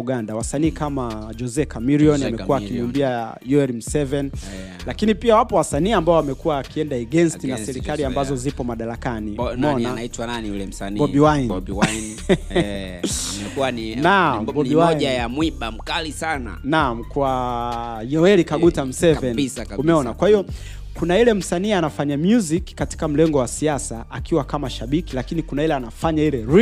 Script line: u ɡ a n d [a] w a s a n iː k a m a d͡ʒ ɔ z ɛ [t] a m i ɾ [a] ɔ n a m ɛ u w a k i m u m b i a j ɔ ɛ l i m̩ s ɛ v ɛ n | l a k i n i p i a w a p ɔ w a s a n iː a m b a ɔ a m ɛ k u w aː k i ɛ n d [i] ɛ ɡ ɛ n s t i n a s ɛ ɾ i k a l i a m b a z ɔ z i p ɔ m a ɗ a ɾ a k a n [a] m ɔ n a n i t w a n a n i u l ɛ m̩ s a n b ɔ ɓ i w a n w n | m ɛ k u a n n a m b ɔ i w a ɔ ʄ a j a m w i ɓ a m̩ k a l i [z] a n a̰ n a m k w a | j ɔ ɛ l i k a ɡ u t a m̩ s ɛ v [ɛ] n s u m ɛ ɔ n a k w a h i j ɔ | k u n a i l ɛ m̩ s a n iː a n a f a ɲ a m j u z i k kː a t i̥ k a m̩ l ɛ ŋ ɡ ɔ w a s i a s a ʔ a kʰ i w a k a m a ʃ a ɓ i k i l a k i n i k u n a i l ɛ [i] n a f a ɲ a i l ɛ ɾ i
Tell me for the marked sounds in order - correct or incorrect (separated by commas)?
correct, incorrect, incorrect, incorrect, incorrect, incorrect, correct, incorrect